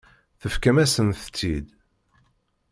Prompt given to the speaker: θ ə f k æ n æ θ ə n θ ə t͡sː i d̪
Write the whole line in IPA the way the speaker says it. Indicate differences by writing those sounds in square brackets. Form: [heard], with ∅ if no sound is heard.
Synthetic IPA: θ ə f k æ [m] æ [s] ə n θ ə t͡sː i d̪